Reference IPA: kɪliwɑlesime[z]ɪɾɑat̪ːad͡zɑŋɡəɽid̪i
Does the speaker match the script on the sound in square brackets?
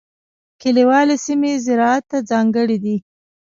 yes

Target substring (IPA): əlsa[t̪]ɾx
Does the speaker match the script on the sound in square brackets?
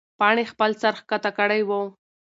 no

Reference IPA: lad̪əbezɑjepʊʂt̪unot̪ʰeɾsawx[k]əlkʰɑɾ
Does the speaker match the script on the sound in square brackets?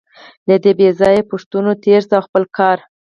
no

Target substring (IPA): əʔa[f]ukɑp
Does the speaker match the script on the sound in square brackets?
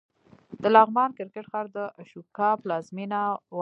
no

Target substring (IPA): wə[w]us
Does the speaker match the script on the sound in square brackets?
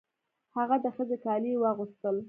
no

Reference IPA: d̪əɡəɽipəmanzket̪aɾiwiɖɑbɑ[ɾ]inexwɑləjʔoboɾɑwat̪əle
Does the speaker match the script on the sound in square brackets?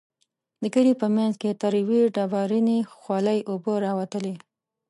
yes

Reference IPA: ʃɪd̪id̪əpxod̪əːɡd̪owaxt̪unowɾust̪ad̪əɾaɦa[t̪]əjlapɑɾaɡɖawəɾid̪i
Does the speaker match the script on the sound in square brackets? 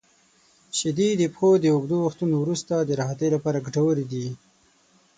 yes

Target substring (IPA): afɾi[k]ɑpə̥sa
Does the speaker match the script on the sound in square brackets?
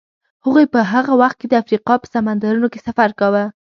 no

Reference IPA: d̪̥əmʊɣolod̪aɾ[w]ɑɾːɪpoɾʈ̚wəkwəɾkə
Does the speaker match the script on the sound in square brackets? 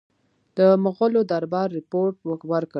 no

